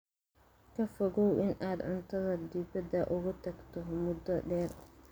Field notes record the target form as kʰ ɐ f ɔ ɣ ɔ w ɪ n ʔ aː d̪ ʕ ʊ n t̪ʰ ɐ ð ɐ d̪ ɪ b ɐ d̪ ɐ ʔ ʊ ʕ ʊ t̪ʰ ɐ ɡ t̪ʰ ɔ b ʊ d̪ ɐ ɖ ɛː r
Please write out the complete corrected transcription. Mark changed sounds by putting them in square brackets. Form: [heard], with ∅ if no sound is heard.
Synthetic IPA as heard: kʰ ɐ f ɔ ɣ ɔ w ɪ n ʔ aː d̪ ʕ ʊ n t̪ʰ ɐ ð ɐ d̪ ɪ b ɐ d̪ ɐ ʔ ʊ [ɣ] ʊ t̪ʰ ɐ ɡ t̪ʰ ɔ [m] ʊ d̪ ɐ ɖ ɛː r

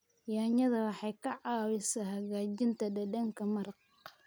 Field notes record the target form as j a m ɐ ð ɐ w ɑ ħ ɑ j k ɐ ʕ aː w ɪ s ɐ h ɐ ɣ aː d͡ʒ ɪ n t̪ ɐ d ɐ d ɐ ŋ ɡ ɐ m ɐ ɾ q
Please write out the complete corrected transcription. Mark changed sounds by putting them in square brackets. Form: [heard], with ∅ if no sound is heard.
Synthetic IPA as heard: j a [ɲ] ɐ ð ɐ w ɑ ħ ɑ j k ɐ ʕ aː w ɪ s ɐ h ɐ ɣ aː d͡ʒ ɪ n t̪ ɐ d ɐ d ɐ ŋ [k] ɐ m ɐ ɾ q

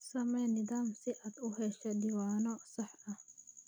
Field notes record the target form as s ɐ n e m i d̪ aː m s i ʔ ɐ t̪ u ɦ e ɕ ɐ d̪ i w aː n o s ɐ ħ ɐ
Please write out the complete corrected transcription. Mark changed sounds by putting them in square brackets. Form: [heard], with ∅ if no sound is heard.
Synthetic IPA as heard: s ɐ [m] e [n] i d̪ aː m s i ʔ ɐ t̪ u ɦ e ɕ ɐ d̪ i w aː n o s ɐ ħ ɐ

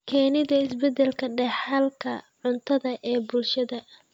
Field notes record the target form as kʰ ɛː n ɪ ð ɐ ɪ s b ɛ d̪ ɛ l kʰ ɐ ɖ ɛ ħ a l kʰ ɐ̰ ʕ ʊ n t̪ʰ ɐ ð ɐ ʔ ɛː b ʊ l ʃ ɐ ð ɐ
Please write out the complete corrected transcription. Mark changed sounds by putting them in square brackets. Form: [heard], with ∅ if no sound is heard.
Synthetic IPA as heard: kʰ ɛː n ɪ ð ɐ ɪ s b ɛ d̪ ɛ l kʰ ɐ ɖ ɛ ħ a l kʰ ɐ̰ ʕ ʊ n t̪ʰ ɐ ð ɐ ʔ ɛː b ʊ l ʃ ɐ ð ɐ

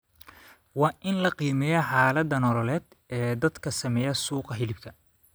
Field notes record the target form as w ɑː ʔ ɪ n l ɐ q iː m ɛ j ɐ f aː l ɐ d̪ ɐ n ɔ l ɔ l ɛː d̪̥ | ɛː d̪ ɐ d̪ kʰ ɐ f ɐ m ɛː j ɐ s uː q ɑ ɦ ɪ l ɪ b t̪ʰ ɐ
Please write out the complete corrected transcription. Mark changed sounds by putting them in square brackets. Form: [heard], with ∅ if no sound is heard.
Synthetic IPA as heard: w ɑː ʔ ɪ n l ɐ q iː m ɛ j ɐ [ħ] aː l ɐ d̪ ɐ n ɔ l ɔ l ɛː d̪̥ | ɛː d̪ ɐ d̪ kʰ ɐ [s] ɐ m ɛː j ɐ s uː q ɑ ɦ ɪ l ɪ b t̪ʰ ɐ

